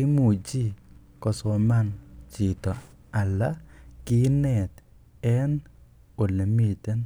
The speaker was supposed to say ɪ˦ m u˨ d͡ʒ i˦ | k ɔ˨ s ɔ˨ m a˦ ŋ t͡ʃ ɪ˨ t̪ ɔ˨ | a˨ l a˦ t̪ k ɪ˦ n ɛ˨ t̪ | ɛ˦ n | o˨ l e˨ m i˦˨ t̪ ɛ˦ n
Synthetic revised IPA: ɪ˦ m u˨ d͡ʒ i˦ | k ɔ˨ s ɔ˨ m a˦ n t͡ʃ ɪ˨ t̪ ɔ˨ | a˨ l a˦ k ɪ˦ n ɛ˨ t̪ | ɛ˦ n | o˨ l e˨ m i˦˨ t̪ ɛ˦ n